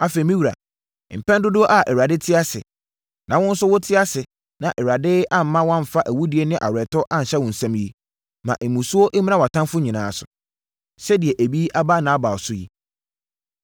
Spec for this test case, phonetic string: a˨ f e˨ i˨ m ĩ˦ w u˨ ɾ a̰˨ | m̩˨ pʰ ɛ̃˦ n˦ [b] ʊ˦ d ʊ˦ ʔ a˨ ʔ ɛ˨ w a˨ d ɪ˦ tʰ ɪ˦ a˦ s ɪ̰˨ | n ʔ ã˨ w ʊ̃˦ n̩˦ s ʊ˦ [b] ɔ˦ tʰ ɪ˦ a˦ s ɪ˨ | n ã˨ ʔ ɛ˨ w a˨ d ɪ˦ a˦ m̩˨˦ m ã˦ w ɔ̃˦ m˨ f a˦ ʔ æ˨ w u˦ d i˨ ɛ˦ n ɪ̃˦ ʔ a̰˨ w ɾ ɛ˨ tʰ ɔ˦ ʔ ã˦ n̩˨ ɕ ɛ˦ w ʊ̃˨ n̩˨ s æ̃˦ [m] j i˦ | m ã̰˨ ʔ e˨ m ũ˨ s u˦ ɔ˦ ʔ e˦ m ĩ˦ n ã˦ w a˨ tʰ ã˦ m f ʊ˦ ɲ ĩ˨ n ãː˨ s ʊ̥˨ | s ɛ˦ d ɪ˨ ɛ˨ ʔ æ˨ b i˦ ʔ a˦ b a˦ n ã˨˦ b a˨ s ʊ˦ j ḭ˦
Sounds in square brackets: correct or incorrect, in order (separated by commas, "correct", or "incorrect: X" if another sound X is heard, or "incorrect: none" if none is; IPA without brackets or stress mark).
incorrect: d, incorrect: w, correct